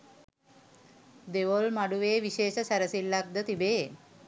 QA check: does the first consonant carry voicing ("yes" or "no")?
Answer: yes